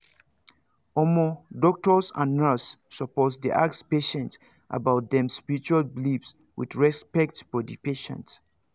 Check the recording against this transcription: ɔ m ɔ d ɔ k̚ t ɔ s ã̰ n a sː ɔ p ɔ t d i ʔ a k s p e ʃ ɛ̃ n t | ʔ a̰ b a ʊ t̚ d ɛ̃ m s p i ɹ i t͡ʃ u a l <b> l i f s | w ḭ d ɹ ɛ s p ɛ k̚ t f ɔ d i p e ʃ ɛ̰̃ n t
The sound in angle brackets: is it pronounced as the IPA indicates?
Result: yes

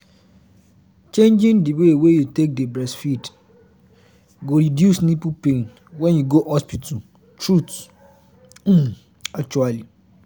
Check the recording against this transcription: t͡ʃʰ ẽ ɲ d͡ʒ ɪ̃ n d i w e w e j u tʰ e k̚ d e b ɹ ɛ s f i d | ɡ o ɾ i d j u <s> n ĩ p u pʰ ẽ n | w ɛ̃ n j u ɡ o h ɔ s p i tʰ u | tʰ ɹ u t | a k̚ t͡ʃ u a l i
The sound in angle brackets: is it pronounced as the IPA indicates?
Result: yes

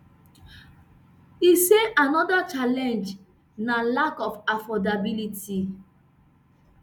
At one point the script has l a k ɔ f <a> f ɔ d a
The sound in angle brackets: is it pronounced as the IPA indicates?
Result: yes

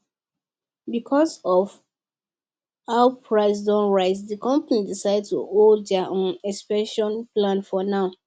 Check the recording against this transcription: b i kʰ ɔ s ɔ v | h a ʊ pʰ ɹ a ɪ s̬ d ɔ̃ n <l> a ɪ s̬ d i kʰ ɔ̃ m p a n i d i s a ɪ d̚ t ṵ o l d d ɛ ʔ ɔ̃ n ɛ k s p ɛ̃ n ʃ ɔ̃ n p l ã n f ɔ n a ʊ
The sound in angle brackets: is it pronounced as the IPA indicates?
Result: no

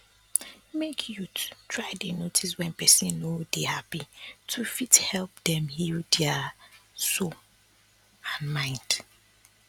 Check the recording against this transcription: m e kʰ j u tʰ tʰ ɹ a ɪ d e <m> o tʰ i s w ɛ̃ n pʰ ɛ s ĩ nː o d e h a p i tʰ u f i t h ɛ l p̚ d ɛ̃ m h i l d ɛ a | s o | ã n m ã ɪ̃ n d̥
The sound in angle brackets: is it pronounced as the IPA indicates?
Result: no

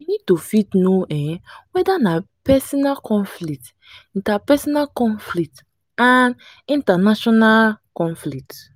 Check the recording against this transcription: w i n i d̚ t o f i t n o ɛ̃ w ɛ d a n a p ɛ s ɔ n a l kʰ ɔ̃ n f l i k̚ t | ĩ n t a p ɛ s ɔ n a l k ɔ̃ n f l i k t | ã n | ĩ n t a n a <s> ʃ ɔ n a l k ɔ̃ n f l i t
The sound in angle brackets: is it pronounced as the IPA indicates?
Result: no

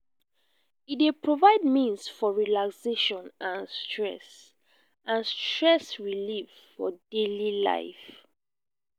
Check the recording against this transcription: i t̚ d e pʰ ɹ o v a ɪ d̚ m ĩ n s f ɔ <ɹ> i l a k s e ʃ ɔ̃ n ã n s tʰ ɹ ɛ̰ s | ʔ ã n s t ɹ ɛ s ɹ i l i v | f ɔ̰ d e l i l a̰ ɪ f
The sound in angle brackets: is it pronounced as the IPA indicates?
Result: yes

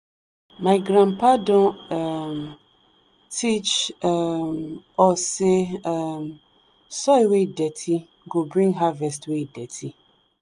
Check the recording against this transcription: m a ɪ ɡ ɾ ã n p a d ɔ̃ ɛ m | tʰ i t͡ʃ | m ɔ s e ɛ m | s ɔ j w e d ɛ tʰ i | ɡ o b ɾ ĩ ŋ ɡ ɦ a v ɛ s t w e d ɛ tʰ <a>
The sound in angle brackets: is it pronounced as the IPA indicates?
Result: no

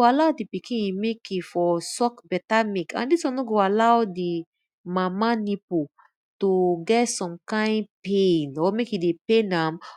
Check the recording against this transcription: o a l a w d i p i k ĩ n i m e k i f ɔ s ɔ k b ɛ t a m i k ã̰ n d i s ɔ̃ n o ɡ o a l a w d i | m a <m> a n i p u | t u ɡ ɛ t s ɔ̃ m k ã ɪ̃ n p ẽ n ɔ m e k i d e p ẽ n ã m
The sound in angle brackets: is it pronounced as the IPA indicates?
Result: yes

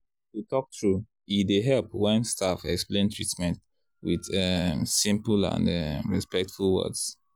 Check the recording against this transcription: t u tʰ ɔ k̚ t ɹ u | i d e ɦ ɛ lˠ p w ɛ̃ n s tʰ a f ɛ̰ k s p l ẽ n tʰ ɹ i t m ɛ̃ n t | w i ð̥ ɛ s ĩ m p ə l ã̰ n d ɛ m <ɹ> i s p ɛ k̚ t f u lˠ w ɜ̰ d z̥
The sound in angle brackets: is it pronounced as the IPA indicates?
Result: yes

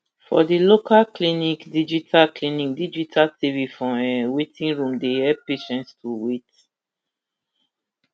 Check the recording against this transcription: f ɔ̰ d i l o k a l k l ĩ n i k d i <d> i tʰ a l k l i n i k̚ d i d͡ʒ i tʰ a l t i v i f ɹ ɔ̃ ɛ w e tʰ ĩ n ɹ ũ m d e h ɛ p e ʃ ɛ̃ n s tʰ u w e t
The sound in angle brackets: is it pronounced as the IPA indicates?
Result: no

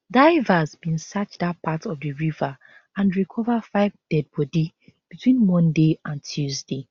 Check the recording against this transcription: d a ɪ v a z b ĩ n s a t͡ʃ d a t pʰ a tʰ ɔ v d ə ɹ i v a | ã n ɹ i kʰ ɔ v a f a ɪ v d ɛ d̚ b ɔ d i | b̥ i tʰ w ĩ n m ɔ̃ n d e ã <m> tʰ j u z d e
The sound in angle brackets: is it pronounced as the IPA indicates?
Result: no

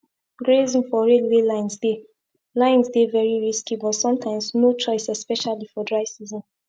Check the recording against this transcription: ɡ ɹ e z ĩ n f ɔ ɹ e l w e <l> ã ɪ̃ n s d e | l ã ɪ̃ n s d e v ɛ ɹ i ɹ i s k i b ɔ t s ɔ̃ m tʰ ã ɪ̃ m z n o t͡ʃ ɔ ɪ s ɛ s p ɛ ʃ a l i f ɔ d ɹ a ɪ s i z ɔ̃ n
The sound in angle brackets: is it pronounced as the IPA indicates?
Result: yes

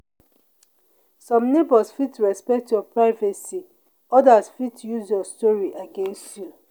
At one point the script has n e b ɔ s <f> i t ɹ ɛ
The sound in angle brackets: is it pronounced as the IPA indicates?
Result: yes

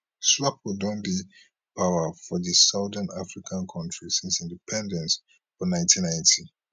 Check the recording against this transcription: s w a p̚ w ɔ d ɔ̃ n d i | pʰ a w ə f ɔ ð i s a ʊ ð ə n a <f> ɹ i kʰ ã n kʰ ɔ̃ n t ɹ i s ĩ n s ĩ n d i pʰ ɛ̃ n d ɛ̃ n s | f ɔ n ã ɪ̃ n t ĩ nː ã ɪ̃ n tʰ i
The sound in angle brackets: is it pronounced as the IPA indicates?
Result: yes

